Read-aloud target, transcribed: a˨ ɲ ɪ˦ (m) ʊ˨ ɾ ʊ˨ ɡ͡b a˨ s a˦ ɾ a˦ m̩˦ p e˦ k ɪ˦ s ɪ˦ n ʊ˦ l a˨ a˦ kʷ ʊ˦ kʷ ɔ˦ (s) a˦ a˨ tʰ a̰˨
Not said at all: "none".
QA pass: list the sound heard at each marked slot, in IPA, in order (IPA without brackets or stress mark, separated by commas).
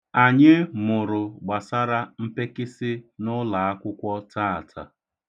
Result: m, t